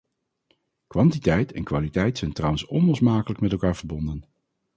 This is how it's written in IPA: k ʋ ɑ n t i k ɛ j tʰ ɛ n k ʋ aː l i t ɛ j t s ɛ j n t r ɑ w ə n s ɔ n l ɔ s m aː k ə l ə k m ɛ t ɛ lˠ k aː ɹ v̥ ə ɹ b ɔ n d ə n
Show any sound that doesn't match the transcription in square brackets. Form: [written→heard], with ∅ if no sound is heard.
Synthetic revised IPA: k ʋ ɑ n t i [k→t] ɛ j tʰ ɛ n k ʋ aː l i t ɛ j t s ɛ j n t r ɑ w ə n s ɔ n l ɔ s m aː k ə l ə k m ɛ t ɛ lˠ k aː ɹ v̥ ə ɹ b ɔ n d ə n